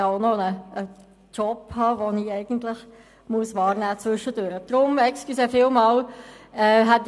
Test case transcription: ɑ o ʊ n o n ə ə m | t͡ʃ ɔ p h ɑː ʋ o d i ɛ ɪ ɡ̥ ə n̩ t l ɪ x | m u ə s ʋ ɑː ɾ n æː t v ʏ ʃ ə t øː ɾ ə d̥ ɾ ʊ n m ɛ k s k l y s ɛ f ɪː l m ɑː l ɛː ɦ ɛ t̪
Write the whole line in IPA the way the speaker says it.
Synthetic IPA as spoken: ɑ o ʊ n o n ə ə | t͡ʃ ɔ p h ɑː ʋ o n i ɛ ɪ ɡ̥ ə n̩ t l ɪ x | m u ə s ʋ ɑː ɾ n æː t͡s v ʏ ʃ ə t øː ɾ ə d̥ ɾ ʊ m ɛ k s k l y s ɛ f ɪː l m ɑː l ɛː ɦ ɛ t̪